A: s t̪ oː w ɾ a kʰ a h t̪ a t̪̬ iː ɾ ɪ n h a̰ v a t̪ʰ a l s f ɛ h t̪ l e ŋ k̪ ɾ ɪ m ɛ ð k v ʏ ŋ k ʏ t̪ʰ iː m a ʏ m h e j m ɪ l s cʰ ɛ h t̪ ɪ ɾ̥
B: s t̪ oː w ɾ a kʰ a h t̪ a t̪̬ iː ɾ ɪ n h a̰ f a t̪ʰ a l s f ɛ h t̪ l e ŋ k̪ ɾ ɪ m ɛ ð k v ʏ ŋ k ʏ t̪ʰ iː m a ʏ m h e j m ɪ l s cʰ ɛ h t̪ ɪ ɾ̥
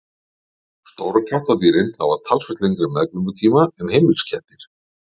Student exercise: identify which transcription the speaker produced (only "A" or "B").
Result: A